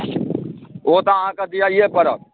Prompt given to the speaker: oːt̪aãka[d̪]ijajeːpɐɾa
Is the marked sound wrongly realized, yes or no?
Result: no